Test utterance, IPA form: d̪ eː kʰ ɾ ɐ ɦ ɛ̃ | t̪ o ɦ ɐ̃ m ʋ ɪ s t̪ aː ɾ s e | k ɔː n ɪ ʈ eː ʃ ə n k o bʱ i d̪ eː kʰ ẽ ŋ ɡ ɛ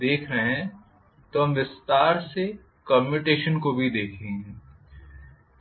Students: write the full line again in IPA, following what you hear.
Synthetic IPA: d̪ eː kʰ ɾ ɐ ɦ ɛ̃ | t̪ o ɦ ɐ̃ m ʋ ɪ s t̪ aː ɾ s e | k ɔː m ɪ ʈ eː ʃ ə n k o bʱ i d̪ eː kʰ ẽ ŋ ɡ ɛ

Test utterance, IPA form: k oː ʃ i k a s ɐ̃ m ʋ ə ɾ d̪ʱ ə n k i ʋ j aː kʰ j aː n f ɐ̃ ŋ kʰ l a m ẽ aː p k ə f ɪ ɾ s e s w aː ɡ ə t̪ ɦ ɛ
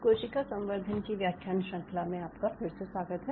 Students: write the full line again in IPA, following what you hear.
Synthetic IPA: k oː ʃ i k a s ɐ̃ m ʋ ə ɾ d̪ʱ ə n k i ʋ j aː kʰ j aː n ʃ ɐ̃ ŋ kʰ l a m ẽ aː p k a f ɪ ɾ s e s w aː ɡ ə t̪ ɦ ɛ

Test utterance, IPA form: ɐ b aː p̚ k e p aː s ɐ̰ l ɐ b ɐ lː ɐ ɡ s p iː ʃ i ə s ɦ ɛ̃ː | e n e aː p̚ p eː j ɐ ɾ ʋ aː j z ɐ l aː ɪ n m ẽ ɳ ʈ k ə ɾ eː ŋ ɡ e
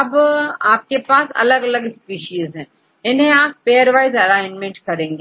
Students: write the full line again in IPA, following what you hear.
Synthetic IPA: ɐ b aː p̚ k e p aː s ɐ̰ l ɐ ɡ ɐ l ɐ ɡ s p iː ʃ i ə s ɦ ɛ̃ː | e n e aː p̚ p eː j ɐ ɾ ʋ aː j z ɐ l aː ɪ n m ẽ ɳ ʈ k ɐ ɾ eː ŋ ɡ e

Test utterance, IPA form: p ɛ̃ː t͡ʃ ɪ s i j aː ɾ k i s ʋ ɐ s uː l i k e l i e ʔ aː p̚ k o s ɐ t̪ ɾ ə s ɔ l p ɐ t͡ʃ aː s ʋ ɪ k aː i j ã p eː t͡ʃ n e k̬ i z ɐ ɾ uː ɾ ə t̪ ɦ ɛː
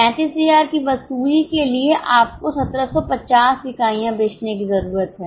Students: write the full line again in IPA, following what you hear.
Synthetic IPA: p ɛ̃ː t͡ʃ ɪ s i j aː ɾ k i ʋ ɐ s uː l i k e l i e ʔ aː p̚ k o s ɐ t̪ ɾ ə s ɔ p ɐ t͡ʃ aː s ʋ ɪ k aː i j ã b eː t͡ʃ n e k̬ i z ɐ ɾ uː ɾ ə t̪ ɦ ɛː

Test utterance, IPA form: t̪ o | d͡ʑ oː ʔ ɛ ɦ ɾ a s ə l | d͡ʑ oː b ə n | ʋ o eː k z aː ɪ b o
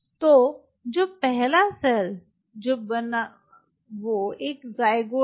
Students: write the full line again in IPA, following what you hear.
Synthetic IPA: t̪ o | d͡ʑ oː p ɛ ɦ l a s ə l | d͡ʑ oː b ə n | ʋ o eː k z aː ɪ ɡ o

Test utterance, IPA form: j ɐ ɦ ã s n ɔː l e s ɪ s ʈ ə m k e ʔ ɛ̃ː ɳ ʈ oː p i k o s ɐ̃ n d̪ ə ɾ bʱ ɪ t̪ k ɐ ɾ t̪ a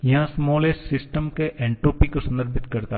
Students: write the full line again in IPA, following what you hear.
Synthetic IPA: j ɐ ɦ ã s m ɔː l e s ɪ s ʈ ə m k e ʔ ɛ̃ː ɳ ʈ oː p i k o s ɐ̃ n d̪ ə ɾ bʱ ɪ t̪ k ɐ ɾ t̪ a

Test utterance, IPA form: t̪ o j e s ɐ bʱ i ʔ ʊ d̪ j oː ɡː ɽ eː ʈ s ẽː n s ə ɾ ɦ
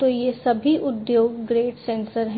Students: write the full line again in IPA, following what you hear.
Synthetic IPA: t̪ o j e s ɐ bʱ i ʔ ʊ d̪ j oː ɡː ɾ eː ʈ s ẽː n s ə ɾ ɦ

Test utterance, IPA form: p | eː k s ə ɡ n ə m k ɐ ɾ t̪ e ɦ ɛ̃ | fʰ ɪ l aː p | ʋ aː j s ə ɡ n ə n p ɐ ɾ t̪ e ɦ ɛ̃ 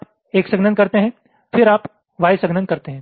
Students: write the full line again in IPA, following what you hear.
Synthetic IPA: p | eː k s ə ɡ n ə n k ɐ ɾ t̪ e ɦ ɛ̃ | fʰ ɪ ɾ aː p | ʋ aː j s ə ɡ n ə n k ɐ ɾ t̪ e ɦ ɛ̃

